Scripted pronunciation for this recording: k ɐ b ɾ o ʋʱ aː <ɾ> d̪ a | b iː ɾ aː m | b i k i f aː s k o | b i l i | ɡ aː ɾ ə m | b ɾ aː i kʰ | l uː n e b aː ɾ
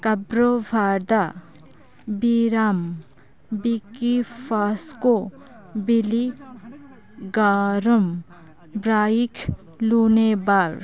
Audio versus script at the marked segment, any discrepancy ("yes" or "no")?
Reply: no